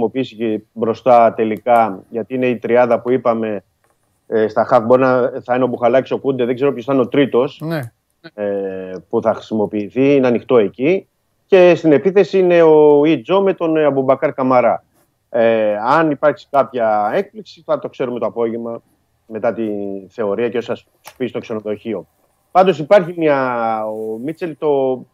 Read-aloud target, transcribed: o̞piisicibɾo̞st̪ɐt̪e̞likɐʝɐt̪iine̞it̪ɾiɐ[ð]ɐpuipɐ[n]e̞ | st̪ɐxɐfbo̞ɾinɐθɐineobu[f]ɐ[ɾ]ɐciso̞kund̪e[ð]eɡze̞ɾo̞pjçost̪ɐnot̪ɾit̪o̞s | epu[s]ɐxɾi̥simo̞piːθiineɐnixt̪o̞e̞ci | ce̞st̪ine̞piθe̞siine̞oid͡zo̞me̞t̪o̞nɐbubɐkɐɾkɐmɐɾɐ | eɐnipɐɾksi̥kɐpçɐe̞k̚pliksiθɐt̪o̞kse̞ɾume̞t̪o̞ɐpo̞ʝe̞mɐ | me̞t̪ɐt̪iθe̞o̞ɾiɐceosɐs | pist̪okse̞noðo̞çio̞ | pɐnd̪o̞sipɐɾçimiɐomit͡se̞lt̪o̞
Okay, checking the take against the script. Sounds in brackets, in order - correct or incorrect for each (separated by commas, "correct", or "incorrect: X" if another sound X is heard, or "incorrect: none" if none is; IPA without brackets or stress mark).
correct, incorrect: m, incorrect: x, incorrect: l, correct, incorrect: θ